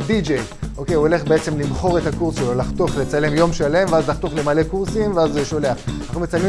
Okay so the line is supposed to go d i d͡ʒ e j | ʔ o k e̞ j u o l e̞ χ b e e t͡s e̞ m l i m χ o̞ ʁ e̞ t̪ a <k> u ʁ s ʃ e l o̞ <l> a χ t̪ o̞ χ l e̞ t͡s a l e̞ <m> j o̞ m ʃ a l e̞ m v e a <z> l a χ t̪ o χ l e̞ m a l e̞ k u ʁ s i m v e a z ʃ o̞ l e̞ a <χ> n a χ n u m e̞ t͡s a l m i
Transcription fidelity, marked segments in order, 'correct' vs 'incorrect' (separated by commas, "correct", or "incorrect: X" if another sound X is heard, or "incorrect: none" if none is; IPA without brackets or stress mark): correct, correct, correct, correct, correct